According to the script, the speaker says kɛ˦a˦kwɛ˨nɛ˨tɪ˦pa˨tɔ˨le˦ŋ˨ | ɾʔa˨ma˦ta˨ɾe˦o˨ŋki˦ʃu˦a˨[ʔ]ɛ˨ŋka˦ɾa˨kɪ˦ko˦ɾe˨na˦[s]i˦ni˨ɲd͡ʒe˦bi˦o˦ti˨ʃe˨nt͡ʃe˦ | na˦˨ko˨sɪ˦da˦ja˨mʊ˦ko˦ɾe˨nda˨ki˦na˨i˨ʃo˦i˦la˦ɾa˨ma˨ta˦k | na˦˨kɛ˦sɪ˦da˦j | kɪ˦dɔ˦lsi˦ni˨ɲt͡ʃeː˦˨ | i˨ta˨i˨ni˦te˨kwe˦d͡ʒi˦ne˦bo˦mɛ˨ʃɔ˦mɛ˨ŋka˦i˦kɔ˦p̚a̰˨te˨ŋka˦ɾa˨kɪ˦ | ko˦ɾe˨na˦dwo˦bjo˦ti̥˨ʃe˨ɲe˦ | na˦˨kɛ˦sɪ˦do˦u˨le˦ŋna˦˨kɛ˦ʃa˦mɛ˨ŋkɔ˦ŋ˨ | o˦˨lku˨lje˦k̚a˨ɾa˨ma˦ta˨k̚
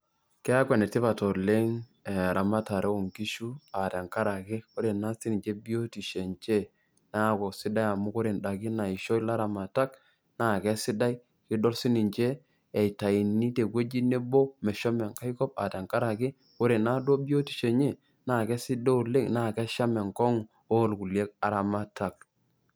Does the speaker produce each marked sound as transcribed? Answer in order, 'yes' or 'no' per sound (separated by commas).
no, yes